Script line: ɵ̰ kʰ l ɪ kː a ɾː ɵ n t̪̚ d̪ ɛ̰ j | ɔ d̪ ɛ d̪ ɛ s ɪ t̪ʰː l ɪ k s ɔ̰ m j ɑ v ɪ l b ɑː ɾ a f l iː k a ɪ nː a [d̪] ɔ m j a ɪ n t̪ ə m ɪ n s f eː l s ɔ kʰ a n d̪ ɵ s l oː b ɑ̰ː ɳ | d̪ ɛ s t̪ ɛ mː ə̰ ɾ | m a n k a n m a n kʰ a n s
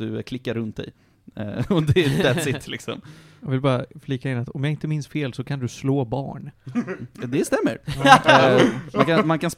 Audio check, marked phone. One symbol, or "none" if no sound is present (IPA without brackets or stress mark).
t̪